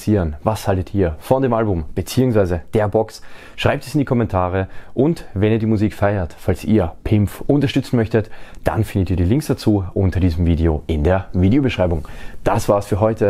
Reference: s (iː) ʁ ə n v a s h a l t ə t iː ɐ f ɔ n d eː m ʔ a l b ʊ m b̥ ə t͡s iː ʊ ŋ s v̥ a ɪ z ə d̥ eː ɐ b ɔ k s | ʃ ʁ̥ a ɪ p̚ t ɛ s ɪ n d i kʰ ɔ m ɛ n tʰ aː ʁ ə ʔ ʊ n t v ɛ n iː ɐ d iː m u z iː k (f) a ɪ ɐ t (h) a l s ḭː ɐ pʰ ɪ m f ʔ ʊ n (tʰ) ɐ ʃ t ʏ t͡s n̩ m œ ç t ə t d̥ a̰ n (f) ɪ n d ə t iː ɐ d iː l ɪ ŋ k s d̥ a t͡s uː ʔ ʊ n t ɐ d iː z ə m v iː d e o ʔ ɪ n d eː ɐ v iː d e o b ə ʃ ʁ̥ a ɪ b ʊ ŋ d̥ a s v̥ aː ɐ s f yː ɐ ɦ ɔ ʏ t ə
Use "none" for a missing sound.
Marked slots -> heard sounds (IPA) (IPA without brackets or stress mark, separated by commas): iː, f, f, t, f